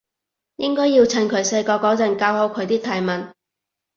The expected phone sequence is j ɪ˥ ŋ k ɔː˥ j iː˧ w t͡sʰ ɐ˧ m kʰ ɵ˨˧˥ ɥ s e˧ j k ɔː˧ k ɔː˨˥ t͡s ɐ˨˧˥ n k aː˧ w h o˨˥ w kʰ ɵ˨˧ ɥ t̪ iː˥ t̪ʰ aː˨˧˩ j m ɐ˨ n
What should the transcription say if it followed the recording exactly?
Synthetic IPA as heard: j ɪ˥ ŋ k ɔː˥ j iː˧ w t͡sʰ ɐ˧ n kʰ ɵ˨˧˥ ɥ s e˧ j k ɔː˧ k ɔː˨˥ t͡s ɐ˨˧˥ n k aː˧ w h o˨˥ w kʰ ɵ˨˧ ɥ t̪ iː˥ t̪ʰ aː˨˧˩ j m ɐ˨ n